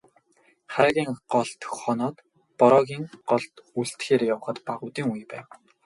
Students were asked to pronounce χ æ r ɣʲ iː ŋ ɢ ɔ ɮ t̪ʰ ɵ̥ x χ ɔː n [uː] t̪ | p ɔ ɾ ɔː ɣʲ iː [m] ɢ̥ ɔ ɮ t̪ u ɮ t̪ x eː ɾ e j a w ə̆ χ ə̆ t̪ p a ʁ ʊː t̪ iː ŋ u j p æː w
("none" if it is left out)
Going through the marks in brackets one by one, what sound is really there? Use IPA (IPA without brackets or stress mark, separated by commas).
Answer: ɔː, ŋ